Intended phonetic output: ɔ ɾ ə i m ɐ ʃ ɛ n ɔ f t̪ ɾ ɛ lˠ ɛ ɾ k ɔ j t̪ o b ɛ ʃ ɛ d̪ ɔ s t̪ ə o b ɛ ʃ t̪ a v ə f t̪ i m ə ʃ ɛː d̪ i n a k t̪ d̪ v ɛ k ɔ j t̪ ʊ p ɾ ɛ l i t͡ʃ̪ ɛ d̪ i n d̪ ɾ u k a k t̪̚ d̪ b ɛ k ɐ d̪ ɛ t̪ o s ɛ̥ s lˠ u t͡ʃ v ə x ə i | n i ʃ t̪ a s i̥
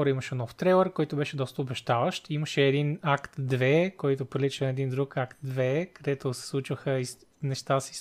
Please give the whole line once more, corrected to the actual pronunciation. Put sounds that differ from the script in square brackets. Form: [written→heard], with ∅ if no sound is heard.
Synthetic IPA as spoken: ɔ ɾ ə i m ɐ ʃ ɛ n ɔ f t̪ ɾ ɛ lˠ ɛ ɾ k ɔ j t̪ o b ɛ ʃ ɛ d̪ ɔ s t̪ ə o b ɛ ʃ t̪ a v ə [f→ʃ] t̪ i m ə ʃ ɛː d̪ i n a k t̪ d̪ v ɛ k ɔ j t̪ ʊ p ɾ [ɛ→i] l i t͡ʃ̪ ɛ d̪ i n d̪ ɾ u k a k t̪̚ d̪ [b→v] ɛ k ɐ d̪ ɛ t̪ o s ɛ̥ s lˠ u t͡ʃ v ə x ə i | n [i→ɛ] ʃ t̪ a s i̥